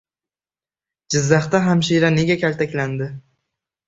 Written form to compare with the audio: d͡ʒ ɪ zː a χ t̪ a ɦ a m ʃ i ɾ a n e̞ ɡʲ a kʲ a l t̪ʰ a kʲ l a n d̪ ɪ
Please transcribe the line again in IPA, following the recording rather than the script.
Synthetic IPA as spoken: d͡ʒ ɪ zː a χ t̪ a ɦ a m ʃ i ɾ a n e̞ ɡʲ a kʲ a l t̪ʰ a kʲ l a n d̪ ɪ